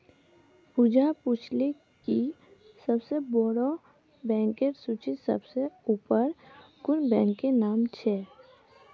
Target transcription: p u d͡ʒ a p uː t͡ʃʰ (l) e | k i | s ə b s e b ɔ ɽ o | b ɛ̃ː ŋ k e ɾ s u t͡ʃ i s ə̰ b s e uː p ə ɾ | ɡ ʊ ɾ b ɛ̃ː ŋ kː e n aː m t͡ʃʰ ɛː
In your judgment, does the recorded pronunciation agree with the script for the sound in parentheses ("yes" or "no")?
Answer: yes